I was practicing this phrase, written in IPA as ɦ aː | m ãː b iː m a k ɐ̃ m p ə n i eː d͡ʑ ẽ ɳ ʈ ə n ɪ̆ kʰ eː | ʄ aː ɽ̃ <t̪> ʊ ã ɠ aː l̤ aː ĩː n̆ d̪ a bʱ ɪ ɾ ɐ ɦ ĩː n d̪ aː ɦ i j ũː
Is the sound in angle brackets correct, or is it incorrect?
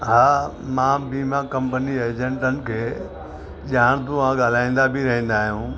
correct